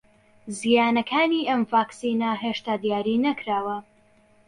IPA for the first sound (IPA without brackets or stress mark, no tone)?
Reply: z